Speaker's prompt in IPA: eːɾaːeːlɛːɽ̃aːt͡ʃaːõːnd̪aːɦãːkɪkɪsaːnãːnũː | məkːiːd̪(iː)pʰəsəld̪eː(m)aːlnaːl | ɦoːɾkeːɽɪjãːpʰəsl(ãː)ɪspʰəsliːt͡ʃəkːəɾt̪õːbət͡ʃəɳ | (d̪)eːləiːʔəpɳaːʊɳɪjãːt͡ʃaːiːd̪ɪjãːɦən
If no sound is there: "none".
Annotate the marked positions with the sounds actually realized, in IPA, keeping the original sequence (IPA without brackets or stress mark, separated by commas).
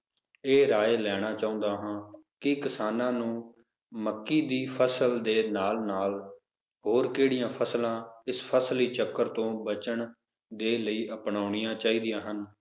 iː, n, ãː, d̪